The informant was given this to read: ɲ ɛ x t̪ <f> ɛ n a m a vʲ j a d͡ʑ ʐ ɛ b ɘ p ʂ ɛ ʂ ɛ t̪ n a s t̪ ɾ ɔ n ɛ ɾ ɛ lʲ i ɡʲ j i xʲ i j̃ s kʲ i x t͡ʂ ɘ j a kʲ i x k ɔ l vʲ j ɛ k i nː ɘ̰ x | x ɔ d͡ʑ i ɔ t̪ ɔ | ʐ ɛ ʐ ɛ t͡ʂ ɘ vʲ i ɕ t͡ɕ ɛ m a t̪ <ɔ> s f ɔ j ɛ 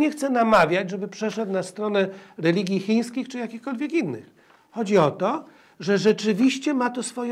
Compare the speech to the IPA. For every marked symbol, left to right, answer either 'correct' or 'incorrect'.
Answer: incorrect: s, correct

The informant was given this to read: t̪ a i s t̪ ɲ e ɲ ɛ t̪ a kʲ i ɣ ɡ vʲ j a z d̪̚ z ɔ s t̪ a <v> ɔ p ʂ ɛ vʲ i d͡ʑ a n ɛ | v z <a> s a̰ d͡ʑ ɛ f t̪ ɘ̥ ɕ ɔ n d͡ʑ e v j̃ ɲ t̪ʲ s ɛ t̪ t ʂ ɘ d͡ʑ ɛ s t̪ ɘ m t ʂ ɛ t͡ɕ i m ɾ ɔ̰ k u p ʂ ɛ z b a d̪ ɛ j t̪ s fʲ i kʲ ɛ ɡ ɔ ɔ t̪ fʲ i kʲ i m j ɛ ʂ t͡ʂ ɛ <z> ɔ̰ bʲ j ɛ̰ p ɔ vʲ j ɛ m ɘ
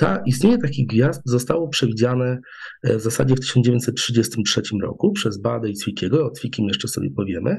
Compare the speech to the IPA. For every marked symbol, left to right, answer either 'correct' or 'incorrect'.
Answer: incorrect: w, correct, incorrect: s

